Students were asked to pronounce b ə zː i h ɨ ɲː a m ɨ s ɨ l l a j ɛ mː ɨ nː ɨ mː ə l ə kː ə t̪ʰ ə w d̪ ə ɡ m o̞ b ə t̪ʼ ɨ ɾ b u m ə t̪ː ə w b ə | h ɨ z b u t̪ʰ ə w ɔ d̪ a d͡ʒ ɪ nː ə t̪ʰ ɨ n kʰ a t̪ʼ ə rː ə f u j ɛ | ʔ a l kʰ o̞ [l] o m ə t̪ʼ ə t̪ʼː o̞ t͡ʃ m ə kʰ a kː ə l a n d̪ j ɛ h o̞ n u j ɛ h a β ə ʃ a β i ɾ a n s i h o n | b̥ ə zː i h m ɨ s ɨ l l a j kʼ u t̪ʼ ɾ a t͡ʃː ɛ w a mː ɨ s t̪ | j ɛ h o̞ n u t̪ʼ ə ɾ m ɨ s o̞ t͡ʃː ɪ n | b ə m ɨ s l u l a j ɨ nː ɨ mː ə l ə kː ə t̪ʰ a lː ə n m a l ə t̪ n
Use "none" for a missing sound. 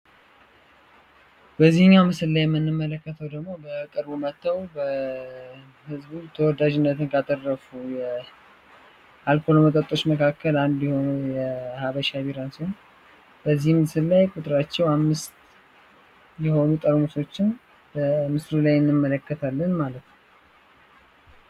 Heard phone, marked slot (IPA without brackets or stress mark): l